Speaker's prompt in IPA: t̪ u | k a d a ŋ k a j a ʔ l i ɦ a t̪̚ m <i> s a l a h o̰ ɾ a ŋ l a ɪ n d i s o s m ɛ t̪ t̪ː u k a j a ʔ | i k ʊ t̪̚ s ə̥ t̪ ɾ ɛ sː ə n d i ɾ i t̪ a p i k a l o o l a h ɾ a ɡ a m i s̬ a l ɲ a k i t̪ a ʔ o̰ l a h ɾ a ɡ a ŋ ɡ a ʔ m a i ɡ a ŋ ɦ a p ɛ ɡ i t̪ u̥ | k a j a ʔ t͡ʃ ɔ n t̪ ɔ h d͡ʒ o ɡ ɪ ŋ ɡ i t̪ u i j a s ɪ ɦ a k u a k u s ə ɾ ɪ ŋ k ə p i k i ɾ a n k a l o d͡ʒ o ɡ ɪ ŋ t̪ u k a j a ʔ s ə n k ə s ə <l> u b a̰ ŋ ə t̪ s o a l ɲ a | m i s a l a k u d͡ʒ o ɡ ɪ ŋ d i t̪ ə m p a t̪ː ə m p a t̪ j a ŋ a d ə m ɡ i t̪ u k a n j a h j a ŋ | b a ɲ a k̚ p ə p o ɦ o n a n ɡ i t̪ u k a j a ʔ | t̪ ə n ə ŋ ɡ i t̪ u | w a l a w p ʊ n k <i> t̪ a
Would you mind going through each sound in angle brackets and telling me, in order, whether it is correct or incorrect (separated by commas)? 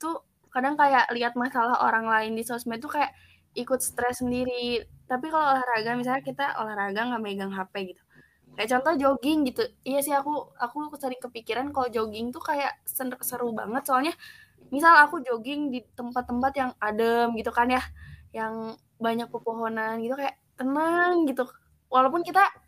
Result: incorrect, incorrect, correct